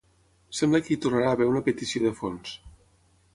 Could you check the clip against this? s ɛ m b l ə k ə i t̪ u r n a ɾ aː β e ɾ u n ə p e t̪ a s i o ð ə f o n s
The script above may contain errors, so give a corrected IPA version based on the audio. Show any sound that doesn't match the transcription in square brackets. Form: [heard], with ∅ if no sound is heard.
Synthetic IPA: s ɛ m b l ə k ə i t̪ u r n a ɾ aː β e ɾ u n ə p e t̪ [i] s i o ð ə f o n s